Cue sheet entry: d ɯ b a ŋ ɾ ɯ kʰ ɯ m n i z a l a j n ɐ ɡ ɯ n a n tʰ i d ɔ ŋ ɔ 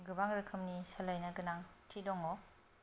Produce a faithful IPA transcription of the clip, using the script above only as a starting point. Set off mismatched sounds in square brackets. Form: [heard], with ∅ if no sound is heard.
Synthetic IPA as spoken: [ɡ] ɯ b a ŋ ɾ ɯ kʰ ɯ m n i [s] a l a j n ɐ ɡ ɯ n a [ŋ] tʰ i d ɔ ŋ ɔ